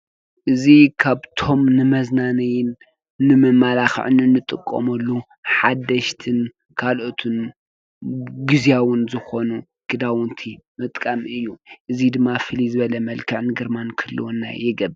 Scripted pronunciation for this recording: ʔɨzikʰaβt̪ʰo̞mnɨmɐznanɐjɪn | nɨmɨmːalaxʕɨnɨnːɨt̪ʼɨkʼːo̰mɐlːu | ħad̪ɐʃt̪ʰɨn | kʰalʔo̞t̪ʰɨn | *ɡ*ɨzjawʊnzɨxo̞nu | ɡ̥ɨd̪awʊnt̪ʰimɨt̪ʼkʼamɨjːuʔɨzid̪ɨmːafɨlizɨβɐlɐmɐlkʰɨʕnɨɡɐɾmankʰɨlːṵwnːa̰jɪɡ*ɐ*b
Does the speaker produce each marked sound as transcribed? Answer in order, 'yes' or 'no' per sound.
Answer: yes, yes

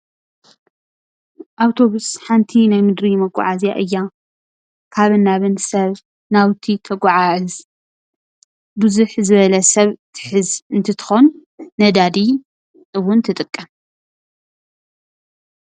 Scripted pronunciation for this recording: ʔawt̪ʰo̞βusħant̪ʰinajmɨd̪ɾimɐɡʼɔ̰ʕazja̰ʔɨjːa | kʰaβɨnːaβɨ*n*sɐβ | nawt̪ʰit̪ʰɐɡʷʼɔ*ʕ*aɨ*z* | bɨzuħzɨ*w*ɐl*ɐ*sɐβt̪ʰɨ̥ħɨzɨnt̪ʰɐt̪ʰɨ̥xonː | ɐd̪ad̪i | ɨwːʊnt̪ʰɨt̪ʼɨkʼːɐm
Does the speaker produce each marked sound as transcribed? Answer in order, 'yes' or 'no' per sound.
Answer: yes, yes, yes, no, yes

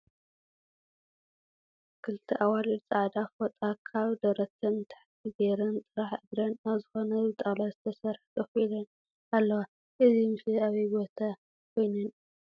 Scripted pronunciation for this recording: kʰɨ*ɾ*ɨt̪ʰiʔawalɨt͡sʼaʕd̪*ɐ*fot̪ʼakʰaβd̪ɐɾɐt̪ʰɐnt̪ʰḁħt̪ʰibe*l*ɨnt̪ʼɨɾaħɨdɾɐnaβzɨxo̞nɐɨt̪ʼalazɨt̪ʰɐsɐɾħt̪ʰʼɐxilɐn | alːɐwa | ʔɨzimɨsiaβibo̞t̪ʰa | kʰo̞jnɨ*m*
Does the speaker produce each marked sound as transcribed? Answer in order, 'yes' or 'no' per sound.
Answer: no, no, no, no

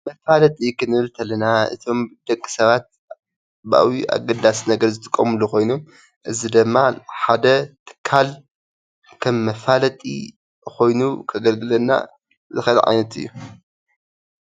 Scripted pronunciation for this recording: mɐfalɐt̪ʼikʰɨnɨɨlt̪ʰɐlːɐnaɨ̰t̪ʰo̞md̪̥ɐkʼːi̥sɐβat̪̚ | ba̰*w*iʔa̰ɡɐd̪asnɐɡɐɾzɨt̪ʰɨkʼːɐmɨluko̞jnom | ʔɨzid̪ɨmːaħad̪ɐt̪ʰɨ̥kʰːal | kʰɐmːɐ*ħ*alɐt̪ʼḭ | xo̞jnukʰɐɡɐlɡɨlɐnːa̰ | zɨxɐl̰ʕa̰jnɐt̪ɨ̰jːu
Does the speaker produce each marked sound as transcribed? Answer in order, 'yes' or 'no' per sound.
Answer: yes, no

